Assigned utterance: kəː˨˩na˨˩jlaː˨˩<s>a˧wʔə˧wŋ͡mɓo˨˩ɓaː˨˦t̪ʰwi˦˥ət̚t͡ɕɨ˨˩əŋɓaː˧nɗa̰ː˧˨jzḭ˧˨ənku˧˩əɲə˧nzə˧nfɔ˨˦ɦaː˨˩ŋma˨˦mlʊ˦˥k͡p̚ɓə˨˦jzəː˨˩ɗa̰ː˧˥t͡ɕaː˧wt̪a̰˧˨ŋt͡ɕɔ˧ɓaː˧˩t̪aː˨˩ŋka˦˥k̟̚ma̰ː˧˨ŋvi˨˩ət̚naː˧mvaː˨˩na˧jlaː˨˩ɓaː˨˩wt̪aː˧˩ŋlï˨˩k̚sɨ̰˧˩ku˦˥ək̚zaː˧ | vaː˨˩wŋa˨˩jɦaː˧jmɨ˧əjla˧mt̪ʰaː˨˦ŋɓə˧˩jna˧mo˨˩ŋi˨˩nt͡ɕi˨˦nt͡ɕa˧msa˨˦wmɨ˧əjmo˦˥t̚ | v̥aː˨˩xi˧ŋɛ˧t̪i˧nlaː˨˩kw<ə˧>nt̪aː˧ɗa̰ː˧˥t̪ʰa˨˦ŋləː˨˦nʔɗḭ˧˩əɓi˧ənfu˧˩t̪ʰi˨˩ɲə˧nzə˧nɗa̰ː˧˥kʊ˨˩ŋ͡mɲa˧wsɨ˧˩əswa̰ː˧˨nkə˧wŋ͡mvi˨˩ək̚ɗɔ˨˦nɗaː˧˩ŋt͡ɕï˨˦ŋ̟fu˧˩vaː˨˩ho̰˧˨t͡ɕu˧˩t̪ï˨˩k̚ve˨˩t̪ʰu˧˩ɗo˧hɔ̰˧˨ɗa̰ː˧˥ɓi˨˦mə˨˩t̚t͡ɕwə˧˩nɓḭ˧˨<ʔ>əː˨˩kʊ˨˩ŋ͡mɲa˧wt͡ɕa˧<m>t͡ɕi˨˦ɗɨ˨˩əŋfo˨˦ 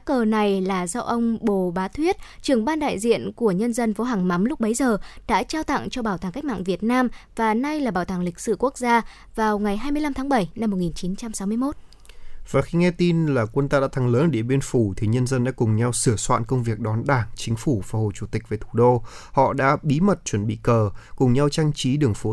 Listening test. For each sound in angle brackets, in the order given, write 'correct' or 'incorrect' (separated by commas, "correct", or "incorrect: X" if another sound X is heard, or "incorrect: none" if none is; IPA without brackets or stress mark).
incorrect: z, correct, incorrect: k, incorrect: ŋ